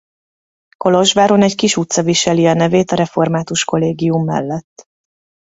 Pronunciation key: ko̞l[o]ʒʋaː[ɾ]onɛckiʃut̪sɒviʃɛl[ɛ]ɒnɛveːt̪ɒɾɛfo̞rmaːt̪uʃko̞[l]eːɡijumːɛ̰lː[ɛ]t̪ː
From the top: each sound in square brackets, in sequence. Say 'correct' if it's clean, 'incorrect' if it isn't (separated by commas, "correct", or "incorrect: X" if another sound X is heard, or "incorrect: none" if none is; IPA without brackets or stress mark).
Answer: correct, correct, incorrect: i, correct, correct